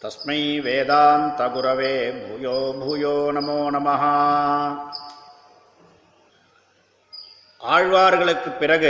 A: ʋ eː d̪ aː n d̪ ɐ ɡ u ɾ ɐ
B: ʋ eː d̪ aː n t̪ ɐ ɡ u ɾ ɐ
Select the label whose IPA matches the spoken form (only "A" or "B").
B